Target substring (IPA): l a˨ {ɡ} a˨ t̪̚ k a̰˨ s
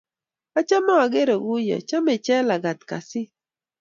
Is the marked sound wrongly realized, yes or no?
no